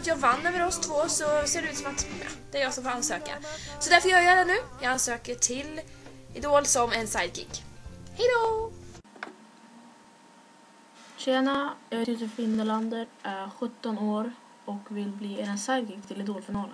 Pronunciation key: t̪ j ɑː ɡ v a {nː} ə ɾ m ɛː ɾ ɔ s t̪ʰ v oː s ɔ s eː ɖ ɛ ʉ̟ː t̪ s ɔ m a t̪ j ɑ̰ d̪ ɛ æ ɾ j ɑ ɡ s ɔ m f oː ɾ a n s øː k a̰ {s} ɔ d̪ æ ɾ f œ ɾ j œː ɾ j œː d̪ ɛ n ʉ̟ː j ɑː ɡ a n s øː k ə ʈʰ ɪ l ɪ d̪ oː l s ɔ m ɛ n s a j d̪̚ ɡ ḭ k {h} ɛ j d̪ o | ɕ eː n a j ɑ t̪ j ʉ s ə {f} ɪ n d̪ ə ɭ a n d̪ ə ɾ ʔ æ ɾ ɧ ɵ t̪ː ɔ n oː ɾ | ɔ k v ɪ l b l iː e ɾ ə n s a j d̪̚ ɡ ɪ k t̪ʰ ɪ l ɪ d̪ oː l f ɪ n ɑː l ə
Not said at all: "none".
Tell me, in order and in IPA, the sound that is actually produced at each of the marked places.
nː, s, h, f

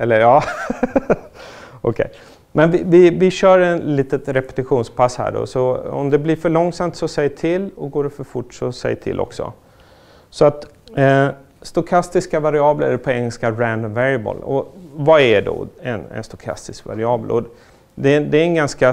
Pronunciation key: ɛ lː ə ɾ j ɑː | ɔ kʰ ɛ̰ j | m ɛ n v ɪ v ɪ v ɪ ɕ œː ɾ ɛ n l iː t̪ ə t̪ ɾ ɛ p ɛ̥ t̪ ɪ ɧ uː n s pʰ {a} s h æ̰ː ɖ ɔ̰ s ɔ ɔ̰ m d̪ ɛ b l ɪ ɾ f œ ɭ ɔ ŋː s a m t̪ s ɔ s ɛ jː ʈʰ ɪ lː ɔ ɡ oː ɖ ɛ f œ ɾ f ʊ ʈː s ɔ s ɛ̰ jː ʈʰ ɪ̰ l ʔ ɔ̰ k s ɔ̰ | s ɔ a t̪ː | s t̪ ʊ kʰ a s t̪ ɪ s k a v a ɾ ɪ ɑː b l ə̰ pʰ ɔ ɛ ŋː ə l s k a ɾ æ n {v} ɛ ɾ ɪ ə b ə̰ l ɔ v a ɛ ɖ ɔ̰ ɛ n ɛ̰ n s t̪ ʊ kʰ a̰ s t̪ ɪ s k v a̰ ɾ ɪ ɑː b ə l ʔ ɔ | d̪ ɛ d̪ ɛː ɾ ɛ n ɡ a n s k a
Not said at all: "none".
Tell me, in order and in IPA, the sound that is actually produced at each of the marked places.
a, v

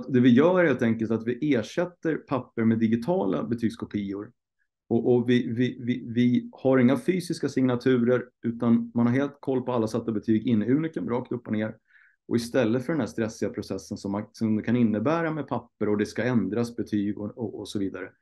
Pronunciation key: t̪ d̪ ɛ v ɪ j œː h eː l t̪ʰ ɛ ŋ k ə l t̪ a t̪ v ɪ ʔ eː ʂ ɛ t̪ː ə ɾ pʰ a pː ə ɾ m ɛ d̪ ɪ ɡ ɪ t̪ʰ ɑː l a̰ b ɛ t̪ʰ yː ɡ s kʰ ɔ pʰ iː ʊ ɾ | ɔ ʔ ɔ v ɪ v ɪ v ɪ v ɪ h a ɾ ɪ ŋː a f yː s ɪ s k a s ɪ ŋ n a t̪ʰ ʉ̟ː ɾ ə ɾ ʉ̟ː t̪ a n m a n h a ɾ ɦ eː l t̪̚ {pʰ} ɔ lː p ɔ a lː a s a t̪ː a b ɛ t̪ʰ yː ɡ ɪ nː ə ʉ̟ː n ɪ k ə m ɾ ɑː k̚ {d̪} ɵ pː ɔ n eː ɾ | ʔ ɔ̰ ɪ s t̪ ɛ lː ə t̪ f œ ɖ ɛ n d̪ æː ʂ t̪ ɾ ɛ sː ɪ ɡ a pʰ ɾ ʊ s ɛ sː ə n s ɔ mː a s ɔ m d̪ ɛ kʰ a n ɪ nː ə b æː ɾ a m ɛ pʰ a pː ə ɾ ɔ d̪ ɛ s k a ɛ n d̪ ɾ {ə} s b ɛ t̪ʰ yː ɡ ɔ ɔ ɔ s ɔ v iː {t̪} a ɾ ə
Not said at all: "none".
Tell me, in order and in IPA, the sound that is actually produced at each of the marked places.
kʰ, t̪, a, d̪

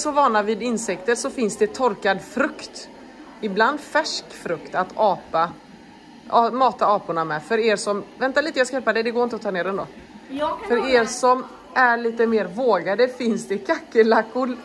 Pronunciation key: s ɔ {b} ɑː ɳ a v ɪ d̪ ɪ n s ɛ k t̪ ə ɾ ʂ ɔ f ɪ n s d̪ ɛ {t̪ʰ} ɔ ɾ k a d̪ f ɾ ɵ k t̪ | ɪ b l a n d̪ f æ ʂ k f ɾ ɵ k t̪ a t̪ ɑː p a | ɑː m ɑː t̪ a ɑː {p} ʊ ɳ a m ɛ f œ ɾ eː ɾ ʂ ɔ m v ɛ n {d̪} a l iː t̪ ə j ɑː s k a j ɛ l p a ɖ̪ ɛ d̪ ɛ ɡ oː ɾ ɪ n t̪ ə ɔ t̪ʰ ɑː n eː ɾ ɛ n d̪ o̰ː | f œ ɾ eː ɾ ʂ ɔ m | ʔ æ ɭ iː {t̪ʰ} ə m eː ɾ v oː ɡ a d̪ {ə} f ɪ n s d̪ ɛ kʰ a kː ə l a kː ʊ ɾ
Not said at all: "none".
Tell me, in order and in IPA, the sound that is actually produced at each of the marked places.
v, t̪ʰ, p, t̪, t̪, ə

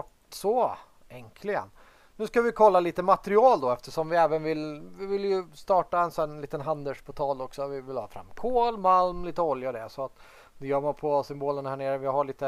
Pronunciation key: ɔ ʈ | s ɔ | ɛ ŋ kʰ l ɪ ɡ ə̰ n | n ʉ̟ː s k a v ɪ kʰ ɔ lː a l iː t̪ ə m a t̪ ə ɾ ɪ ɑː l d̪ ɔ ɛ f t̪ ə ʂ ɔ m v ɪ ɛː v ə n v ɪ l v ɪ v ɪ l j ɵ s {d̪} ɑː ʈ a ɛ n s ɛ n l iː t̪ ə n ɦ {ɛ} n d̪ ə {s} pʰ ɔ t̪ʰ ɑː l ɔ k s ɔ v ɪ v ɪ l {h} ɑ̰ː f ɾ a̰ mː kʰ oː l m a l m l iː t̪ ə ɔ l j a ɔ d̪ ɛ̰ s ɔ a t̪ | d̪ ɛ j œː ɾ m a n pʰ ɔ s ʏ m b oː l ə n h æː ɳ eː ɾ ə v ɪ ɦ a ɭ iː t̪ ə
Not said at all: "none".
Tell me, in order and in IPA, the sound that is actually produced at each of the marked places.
t̪, a, ʂ, h

